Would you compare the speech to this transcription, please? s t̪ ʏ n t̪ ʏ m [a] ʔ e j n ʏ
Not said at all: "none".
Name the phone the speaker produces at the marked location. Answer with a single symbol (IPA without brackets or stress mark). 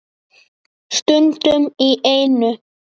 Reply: i